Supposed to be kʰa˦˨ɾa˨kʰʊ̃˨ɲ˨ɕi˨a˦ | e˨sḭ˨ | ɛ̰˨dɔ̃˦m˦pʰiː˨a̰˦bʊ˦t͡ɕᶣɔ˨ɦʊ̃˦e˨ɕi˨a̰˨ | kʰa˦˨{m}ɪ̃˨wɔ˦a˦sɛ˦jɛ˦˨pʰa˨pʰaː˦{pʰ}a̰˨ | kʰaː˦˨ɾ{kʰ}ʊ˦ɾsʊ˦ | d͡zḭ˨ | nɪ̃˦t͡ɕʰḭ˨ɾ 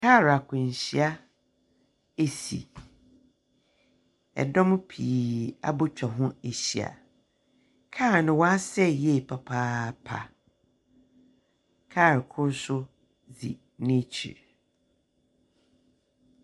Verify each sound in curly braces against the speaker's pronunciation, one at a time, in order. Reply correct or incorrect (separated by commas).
incorrect, correct, correct